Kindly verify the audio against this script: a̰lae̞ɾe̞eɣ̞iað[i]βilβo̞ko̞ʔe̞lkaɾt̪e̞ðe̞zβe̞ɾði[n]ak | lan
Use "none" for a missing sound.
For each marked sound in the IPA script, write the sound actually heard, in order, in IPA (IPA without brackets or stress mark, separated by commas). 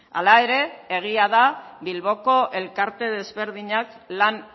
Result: a, ɲ